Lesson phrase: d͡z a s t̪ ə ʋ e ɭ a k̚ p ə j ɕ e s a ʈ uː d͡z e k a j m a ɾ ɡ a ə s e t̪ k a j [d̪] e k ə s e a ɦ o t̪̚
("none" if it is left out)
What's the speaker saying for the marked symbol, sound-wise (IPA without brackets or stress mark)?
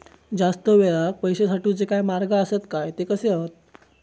t̪